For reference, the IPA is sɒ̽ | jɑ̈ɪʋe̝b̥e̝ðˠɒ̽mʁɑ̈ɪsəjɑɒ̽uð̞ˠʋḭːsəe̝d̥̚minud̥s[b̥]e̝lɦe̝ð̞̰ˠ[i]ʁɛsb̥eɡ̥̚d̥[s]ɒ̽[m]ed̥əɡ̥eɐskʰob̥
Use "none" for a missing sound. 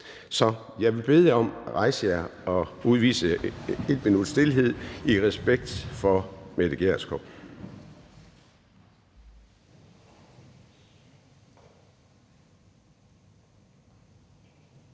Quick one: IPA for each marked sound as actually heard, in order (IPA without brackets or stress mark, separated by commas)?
d̥, i, f, m